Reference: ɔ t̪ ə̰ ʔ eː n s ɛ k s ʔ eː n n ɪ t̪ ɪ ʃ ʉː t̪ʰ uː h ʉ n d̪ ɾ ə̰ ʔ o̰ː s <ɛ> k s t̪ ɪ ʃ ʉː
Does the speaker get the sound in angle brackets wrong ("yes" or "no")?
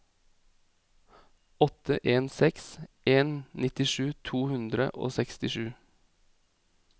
no